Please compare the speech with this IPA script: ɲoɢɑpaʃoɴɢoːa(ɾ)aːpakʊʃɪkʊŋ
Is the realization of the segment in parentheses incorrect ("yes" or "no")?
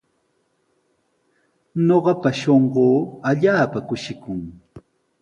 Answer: yes